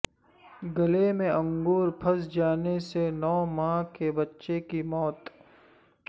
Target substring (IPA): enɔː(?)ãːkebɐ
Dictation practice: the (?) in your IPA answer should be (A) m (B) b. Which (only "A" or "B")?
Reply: A